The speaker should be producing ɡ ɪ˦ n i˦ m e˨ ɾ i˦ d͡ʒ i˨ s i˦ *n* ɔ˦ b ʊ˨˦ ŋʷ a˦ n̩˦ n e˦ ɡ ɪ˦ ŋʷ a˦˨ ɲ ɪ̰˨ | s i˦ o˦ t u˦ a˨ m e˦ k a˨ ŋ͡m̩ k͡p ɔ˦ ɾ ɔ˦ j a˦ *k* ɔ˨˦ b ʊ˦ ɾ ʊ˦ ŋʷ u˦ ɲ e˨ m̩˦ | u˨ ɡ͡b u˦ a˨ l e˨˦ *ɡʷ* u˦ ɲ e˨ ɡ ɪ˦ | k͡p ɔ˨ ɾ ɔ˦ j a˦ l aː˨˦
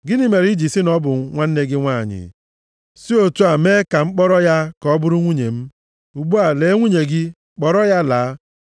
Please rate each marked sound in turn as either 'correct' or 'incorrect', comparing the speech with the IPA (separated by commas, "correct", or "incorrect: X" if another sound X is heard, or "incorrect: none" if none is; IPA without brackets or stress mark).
correct, correct, incorrect: ŋʷ